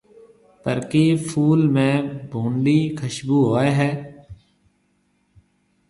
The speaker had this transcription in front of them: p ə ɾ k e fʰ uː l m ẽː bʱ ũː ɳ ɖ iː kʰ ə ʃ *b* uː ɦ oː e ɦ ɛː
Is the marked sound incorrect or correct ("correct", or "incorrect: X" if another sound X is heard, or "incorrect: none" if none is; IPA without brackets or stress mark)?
correct